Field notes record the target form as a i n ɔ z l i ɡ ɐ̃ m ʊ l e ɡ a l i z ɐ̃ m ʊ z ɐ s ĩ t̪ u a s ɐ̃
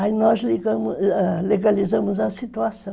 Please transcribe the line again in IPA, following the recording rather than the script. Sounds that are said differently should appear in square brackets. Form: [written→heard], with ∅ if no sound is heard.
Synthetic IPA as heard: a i n ɔ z l i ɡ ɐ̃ m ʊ l e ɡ a l i z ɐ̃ m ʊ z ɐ s [ĩ→i] t̪ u a s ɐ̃